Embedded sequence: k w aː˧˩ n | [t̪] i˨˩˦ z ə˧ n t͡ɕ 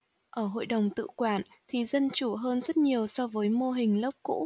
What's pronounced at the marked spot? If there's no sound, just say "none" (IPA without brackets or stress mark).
t̪ʰ